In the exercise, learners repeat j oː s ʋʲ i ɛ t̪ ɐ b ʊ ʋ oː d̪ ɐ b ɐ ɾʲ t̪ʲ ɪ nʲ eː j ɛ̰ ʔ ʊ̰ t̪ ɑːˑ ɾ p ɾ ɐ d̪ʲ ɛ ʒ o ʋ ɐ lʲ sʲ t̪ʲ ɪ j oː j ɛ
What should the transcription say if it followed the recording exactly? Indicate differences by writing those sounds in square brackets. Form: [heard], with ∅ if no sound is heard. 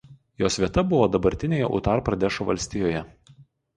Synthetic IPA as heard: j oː s ʋʲ i ɛ t̪ ɐ b ʊ ʋ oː d̪ ɐ b ɐ ɾʲ t̪ʲ ɪ nʲ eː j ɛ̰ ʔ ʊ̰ t̪ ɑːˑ ɾ p ɾ ɐ d̪ʲ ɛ [ʃ] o ʋ ɐ lʲ sʲ t̪ʲ ɪ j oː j ɛ